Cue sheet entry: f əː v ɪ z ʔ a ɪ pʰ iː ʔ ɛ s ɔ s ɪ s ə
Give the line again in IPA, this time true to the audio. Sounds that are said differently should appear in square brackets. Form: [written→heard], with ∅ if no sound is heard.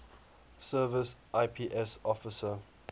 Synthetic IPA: [f→s] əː v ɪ [z→s] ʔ a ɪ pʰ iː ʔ ɛ s ɔ [s→f] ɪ s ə